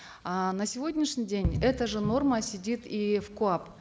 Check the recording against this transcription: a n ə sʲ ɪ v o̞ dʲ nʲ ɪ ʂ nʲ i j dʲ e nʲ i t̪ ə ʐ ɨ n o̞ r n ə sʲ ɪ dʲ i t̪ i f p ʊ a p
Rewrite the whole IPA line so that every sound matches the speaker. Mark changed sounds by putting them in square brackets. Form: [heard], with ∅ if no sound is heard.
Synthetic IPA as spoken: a n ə sʲ ɪ v o̞ dʲ nʲ ɪ ʂ nʲ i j dʲ e nʲ [ɛ] t̪ ə ʐ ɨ n o̞ r [m] ə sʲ ɪ dʲ i t̪ i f [k] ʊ a p